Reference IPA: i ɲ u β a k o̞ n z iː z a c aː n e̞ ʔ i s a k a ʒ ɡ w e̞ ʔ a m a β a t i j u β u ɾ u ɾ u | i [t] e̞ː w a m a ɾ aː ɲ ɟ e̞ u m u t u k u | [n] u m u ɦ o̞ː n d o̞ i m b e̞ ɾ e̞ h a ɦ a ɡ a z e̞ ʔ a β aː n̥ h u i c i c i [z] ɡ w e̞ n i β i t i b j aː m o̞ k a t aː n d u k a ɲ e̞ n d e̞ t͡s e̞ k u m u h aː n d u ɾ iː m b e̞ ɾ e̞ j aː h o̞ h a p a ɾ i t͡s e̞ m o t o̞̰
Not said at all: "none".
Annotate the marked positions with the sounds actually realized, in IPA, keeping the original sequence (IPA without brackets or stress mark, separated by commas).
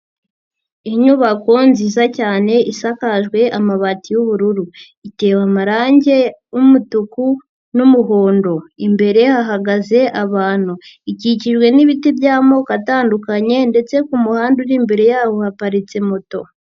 t, n, ʒ